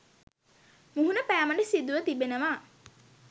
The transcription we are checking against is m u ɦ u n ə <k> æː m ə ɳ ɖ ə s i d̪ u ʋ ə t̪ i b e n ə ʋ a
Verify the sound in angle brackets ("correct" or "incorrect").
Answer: incorrect